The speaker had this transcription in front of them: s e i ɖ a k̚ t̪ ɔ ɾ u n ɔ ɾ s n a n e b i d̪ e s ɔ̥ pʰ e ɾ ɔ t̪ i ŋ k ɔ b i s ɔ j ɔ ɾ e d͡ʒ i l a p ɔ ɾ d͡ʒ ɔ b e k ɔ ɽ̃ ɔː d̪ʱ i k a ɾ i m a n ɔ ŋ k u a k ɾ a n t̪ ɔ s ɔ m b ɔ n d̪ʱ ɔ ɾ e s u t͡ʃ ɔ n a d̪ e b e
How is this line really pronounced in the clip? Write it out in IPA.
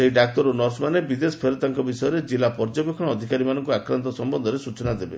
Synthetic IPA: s e i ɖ a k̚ t̪ ɔ ɾ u n ɔ ɾ s m a n e b i d̪ e s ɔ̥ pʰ e ɾ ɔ t̪ a ŋ k ɔ b i s ɔ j ɔ ɾ e d͡ʒ i l a p ɔ ɾ d͡ʒ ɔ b e kʰ ɔ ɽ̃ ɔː d̪ʱ i k a ɾ i m a n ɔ ŋ k u a k ɾ a n t̪ ɔ s ɔ m b ɔ n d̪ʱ ɔ ɾ e s u t͡ʃ ɔ n a d̪ e b e